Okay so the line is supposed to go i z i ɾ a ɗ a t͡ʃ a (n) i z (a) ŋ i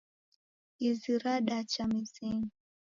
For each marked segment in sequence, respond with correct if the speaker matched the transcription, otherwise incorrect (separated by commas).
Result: incorrect, incorrect